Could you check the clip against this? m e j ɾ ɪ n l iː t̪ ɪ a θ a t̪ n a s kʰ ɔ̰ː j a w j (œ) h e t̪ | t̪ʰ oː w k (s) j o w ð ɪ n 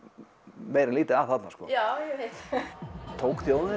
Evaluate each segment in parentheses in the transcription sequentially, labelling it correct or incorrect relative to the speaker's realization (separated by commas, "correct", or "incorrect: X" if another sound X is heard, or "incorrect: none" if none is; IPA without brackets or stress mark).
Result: incorrect: ɛ, incorrect: θ